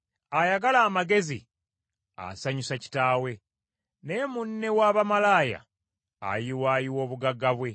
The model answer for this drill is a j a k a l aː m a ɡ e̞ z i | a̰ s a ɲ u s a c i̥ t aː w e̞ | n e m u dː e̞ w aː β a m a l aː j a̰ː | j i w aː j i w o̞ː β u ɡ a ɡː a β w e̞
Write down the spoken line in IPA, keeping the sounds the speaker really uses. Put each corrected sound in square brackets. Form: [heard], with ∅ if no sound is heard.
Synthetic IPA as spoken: a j a [ɡ] a l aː m a ɡ e̞ z i | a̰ s a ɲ u s a c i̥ t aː w e̞ | n e m u [nː] e̞ w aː β a m a l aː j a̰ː | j i w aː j i w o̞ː β u ɡ a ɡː a β w e̞